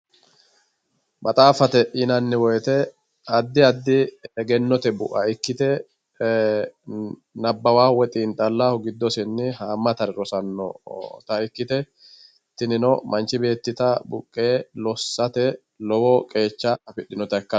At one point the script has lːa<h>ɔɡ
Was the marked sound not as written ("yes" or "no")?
no